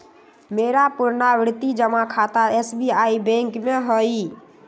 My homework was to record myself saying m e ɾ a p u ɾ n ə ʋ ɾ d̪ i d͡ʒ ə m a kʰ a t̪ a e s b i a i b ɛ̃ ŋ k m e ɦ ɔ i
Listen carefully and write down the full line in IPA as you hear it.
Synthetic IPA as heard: m e ɾ a p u ɾ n a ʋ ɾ t̪ i d͡ʒ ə m a kʰ a t̪ a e s b i a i b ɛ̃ ŋ k m e ɦ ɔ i